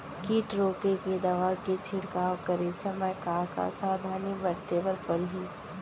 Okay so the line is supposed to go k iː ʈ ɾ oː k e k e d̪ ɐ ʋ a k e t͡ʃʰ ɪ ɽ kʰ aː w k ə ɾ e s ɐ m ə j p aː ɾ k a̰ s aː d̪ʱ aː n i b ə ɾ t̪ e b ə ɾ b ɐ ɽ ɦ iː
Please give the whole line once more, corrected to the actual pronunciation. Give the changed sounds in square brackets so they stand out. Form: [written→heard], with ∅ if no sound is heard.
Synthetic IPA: k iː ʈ ɾ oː k e k e d̪ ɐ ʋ a k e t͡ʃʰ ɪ ɽ [kʰ→k] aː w k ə ɾ e s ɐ m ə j [p→k] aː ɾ k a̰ s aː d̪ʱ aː n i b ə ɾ t̪ e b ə ɾ [b→p] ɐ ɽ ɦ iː